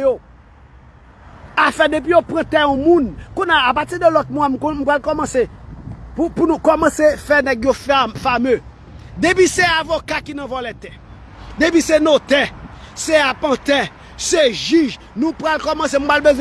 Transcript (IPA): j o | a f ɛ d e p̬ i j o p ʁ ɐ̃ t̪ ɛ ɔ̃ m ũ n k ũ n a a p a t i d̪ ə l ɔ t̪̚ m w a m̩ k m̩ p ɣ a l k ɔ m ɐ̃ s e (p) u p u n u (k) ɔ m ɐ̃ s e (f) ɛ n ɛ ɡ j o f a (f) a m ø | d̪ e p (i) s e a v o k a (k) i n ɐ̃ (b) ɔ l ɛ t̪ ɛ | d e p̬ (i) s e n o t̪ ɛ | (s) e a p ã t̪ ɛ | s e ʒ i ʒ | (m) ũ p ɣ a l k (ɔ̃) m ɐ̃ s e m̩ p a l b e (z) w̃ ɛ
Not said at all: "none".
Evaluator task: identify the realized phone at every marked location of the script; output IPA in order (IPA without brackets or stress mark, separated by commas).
p, k, f, f, i, k, v, i, s, n, ɔ, z